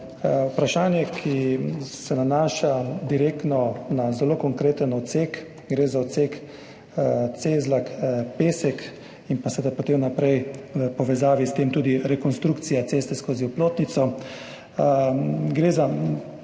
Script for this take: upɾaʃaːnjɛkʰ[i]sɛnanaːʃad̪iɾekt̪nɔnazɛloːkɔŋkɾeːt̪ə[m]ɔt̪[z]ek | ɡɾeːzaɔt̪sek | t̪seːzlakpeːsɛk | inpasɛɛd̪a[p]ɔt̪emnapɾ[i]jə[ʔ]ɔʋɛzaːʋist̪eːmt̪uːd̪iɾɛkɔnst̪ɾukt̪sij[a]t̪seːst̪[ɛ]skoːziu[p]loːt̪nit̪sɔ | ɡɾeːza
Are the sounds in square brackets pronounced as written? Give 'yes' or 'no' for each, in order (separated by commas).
yes, no, no, yes, no, no, yes, yes, yes